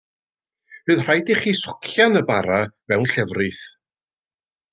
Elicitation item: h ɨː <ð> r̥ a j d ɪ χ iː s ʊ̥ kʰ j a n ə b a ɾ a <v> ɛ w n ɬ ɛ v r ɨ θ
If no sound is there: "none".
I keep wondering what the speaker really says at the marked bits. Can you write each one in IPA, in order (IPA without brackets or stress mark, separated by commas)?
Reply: ð, v